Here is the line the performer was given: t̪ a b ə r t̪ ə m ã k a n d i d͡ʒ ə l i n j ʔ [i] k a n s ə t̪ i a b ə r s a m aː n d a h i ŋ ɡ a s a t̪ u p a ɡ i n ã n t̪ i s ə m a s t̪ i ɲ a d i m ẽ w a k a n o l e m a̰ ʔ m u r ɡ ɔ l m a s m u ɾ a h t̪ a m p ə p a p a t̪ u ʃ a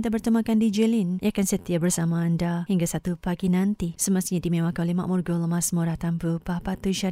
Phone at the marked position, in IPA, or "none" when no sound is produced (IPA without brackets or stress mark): a